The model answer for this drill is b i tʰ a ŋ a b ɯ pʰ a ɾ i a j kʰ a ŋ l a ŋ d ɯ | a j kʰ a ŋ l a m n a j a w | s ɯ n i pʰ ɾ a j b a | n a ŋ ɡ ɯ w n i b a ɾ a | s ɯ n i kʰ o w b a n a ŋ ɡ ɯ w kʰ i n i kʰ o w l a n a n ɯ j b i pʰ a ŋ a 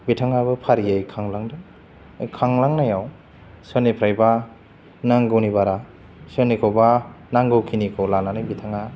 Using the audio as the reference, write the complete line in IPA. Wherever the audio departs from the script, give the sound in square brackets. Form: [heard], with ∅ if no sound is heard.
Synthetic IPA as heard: b i tʰ a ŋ a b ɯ pʰ a ɾ i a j kʰ a ŋ l a ŋ d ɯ | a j kʰ a ŋ l a [ŋ] n a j a w | s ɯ n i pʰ ɾ a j b a | n a ŋ ɡ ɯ w n i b a ɾ a | s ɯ n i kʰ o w b a n a ŋ ɡ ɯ w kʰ i n i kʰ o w l a n a n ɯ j b i [tʰ] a ŋ a